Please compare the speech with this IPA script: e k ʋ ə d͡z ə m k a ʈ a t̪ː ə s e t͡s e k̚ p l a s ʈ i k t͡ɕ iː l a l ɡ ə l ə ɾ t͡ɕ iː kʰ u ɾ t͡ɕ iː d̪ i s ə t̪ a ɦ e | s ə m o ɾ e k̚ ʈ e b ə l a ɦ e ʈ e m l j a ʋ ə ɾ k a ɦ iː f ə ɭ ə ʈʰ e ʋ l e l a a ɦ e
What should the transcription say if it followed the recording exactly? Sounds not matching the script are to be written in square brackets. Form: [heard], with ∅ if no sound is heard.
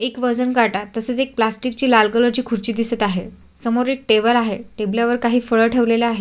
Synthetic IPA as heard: e k ʋ ə d͡z ə [n] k a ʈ a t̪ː ə s e t͡s e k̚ p l a s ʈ i k t͡ɕ iː l a l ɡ ə l ə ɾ t͡ɕ iː kʰ u ɾ t͡ɕ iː d̪ i s ə t̪ a ɦ e | s ə m o ɾ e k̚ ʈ e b ə l a ɦ e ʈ e [b] l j a ʋ ə ɾ k a ɦ iː f ə ɭ ə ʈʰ e ʋ l e l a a ɦ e